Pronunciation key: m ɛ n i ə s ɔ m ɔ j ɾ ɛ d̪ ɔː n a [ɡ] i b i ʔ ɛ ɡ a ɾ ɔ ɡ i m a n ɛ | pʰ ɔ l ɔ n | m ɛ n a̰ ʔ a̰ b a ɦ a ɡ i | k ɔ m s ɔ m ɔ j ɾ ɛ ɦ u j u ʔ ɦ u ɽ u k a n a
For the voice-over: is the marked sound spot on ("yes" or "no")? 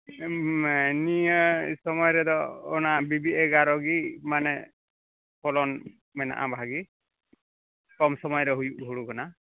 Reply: no